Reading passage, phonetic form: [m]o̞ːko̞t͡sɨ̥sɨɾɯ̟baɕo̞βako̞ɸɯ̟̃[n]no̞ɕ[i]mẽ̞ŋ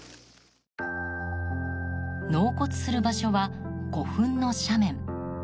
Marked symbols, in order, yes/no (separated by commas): no, yes, no